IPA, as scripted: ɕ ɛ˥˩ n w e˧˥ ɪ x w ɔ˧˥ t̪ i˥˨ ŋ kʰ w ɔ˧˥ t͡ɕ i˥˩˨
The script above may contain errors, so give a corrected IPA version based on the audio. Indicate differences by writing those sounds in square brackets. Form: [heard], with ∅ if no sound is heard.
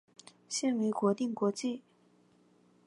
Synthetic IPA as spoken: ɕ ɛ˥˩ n w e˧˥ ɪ [k] w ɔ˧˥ t̪ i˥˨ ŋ [k] w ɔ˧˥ t͡ɕ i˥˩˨